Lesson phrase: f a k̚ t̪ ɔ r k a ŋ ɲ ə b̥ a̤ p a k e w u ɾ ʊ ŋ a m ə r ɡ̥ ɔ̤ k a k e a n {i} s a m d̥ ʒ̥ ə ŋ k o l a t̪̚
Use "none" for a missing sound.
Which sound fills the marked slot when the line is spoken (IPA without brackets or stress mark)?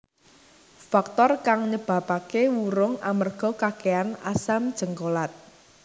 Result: a